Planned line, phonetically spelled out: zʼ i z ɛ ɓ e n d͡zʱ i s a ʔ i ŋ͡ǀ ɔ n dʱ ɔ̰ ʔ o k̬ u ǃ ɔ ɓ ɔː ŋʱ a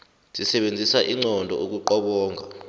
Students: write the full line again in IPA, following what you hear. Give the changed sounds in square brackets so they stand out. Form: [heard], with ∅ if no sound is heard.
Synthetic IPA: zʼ i [s] ɛ ɓ e n d͡zʱ i s a ʔ i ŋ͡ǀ ɔ n dʱ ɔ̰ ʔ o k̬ u ǃ ɔ ɓ ɔː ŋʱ a